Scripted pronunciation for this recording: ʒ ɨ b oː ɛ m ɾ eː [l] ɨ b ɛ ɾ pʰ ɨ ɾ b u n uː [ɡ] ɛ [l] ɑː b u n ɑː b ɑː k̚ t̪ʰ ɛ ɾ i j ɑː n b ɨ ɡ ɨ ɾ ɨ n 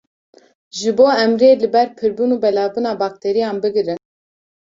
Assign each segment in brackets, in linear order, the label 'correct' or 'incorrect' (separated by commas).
correct, incorrect, correct